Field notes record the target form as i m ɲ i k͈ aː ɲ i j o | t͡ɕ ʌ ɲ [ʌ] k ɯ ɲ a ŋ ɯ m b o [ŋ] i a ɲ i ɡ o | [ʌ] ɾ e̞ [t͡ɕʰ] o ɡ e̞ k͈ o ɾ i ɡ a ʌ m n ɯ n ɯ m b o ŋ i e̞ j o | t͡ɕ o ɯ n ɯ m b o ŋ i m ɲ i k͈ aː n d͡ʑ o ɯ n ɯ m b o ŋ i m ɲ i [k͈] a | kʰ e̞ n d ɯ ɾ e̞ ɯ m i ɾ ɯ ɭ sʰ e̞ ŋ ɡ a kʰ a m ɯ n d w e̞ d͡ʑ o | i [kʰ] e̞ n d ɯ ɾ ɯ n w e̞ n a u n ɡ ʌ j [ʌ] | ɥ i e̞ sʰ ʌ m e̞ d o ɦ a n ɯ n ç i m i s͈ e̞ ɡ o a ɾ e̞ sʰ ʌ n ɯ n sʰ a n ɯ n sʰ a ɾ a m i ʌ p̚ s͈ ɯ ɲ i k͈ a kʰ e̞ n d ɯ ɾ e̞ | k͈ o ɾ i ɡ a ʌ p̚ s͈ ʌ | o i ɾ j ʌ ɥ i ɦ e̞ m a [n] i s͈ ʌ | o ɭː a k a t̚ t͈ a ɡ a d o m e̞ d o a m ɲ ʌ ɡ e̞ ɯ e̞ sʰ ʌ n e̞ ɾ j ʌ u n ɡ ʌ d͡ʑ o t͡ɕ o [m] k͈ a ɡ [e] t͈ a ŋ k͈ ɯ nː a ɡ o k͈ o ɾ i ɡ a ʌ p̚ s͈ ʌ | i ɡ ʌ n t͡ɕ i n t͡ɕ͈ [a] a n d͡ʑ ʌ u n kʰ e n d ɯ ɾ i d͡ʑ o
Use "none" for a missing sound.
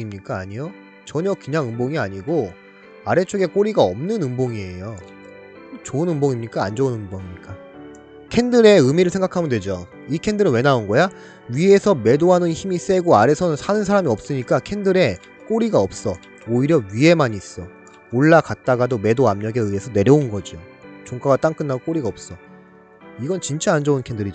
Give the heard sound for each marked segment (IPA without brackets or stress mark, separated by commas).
ʌ, ŋ, a, t͡ɕʰ, k͈, kʰ, a, ɲ, ŋ, a, a